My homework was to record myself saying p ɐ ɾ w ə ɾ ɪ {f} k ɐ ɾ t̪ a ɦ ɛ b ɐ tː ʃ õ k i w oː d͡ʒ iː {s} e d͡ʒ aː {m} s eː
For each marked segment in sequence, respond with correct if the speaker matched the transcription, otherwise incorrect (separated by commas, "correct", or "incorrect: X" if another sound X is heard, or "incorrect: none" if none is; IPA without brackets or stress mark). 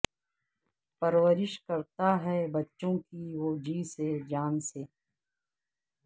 incorrect: ʃ, correct, incorrect: n